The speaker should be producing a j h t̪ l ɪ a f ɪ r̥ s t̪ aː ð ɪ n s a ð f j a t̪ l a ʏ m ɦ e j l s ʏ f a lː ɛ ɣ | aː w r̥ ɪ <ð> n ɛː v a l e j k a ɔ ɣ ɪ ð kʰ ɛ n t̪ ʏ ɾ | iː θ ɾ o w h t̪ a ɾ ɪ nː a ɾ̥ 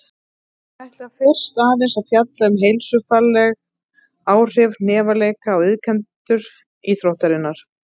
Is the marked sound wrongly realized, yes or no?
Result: yes